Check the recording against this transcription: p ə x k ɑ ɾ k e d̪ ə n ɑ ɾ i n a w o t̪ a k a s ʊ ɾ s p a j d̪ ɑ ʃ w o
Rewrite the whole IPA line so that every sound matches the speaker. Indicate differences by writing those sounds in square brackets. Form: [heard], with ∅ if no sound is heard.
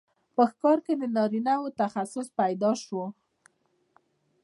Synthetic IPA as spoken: p ə x k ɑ ɾ k e d̪ ə n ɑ ɾ i n a w o t̪ a [x] a s ʊ [∅] s p a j d̪ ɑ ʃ w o

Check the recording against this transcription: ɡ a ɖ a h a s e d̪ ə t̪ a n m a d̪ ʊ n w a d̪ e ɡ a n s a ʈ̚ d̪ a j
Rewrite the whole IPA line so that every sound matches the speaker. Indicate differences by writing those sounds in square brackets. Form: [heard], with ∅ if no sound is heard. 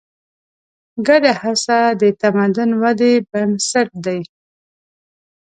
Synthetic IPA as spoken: ɡ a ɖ a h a s [a] d̪ ə t̪ a [∅] m a d̪ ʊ n w a d̪ e [b] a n s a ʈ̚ d̪ a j

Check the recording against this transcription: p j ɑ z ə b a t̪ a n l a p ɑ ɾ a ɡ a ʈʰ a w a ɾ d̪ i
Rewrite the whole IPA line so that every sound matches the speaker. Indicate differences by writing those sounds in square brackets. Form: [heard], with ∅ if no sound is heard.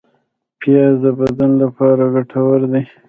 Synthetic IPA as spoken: p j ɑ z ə b a [d̪] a n l a p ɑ ɾ a ɡ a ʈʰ a w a ɾ d̪ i

